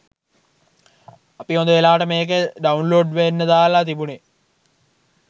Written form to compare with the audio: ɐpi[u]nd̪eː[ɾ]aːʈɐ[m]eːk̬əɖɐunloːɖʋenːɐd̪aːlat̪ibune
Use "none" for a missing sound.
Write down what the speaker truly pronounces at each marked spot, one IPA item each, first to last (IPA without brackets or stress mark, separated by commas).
o, l, m